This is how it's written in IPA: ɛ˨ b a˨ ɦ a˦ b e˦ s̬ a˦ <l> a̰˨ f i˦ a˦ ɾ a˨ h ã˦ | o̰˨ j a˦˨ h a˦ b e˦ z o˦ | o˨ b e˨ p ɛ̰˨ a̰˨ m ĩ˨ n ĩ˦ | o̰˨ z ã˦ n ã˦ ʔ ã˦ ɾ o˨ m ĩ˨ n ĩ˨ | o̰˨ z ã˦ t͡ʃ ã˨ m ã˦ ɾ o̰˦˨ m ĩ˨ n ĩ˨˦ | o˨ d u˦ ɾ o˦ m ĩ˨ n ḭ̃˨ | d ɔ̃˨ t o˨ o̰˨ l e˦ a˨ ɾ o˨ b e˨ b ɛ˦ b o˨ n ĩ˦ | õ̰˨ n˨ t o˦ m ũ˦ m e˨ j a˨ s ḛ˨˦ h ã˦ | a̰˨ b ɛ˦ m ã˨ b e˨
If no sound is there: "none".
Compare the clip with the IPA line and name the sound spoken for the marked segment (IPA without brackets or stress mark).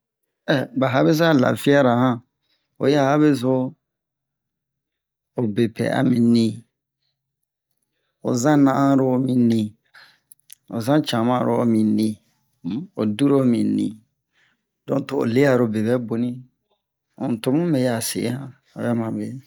l